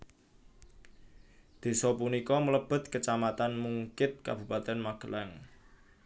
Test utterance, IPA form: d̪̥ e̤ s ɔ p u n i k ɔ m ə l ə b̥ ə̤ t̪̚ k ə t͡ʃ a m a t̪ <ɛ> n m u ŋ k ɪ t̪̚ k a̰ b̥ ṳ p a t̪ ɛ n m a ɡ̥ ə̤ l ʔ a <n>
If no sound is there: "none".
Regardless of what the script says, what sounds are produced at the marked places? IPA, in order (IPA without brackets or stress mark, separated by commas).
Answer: a, ŋ